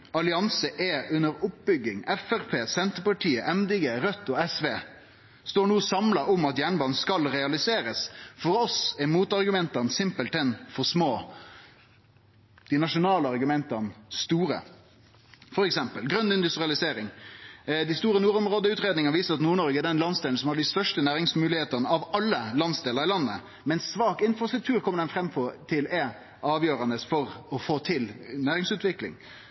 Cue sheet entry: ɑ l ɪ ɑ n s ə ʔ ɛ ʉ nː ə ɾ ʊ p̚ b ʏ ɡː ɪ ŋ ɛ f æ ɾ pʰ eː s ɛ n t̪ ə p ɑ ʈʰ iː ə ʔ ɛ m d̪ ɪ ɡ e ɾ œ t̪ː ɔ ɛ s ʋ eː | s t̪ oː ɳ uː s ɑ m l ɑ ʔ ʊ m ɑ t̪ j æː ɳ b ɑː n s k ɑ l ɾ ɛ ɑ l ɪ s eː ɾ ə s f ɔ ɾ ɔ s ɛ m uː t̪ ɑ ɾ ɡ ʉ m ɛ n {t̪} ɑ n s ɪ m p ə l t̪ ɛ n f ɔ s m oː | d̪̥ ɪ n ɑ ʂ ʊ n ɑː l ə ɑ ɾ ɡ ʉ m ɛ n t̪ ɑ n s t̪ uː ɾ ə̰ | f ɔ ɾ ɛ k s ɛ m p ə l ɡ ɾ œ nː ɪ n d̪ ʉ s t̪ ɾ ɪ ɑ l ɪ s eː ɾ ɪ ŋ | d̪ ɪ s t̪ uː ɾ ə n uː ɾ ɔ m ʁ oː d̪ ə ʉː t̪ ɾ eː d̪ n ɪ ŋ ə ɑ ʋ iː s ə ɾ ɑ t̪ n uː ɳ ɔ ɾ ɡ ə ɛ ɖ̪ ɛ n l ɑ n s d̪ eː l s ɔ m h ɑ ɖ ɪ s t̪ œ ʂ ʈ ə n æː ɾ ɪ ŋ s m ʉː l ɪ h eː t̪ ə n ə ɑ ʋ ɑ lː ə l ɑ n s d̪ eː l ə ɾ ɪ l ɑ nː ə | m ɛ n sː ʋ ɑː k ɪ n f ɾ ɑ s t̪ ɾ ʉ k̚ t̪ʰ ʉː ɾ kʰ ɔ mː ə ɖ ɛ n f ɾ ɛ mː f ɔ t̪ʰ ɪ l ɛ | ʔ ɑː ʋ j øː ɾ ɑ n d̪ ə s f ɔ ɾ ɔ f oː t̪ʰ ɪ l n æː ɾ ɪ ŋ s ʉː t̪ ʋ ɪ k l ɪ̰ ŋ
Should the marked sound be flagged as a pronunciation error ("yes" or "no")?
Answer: no